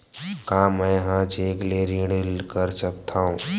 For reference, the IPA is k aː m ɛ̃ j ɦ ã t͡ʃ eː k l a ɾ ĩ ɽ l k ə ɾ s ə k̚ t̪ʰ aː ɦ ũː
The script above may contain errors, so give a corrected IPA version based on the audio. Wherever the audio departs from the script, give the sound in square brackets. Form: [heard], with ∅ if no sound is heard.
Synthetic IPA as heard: k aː m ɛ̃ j ɦ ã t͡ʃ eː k l [e] ɾ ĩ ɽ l k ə ɾ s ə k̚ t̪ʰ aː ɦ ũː